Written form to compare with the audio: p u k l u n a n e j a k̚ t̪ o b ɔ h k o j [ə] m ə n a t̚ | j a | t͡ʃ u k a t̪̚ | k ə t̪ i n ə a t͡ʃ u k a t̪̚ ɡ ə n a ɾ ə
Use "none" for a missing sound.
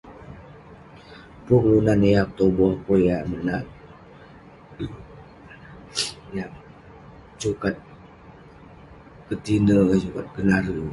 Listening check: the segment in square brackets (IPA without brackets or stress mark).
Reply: a